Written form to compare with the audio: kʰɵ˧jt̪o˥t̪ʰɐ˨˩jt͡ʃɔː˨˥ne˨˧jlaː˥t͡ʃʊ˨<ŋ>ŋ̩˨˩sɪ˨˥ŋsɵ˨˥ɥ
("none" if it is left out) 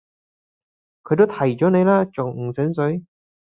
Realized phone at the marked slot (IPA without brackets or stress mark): ŋ